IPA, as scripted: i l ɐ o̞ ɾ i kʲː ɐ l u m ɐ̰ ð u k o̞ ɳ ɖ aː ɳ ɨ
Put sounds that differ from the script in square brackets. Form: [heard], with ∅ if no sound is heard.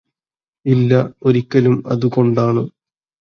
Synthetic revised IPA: i [lː] ɐ o̞ ɾ i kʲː ɐ l u m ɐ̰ ð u k o̞ ɳ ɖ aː ɳ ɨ